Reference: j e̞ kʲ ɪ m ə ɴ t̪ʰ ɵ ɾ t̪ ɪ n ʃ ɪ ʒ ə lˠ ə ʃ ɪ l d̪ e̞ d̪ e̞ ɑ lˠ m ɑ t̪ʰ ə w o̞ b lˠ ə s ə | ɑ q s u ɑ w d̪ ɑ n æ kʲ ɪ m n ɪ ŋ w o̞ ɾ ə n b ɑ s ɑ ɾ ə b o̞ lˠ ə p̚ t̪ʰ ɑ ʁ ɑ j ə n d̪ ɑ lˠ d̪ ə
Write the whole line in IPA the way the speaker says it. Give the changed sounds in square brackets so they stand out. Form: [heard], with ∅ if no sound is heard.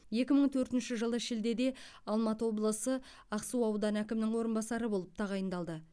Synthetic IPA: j e̞ kʲ ɪ m ə ɴ t̪ʰ ɵ ɾ t̪ ɪ n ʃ ɪ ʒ ə lˠ ə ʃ ɪ l d̪ e̞ d̪ e̞ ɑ lˠ m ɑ [t̪] ə w o̞ b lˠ ə s ə | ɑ q s u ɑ w d̪ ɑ n æ kʲ ɪ m n ɪ ŋ w o̞ ɾ ə n b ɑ s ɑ ɾ ə b o̞ lˠ ə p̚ t̪ʰ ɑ ʁ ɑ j ə n d̪ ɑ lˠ d̪ ə